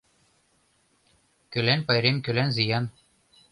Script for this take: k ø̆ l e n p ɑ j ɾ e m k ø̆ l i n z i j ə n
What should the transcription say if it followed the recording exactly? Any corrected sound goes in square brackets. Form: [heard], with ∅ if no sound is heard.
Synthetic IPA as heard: k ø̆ l [æ] n p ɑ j ɾ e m k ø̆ l [æ] n z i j [ɑ] n